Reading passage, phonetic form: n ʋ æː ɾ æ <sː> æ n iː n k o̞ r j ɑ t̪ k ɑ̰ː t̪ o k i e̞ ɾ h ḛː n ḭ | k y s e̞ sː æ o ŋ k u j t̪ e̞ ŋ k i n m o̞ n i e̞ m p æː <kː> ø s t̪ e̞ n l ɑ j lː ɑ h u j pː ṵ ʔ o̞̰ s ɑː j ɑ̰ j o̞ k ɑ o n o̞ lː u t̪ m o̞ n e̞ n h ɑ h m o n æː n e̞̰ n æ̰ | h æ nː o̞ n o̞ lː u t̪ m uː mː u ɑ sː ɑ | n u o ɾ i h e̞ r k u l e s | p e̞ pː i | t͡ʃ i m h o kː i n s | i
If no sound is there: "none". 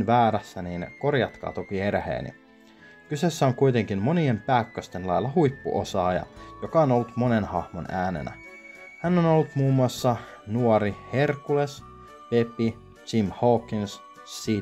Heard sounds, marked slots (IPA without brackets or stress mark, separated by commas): sː, kː